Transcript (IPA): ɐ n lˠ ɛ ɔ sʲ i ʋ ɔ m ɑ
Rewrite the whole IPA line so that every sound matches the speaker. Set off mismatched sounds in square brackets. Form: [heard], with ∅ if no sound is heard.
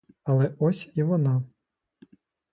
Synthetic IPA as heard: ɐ [∅] lˠ ɛ ɔ sʲ i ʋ ɔ [n] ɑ